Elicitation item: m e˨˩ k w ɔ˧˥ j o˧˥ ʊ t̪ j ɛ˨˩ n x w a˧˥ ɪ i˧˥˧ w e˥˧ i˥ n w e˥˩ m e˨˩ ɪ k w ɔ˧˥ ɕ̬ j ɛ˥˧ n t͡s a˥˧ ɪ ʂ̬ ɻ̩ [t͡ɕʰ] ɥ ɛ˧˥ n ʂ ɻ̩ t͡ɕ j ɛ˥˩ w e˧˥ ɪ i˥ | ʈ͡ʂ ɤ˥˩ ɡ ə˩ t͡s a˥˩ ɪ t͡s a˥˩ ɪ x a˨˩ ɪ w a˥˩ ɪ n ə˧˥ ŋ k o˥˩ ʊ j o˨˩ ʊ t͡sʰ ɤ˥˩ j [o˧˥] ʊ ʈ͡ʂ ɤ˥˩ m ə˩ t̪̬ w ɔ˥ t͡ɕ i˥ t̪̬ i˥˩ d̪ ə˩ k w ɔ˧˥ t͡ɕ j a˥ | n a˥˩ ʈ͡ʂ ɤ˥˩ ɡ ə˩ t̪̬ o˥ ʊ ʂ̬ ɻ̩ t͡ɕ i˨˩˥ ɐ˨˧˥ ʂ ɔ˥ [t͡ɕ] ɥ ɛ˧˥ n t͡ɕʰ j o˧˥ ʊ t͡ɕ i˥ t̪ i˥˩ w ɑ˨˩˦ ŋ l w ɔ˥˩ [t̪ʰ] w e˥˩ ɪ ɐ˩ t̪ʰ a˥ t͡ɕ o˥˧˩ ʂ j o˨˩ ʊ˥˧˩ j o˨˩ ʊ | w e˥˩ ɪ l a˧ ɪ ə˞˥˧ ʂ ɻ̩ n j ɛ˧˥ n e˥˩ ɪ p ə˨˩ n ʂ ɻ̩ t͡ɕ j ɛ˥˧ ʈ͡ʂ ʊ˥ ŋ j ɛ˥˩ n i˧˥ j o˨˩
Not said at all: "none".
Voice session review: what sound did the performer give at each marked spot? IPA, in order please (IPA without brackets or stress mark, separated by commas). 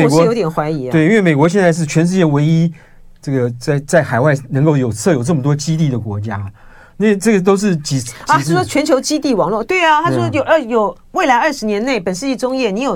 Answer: t͡ɕʰ, o˨˩, t͡ɕʰ, t̪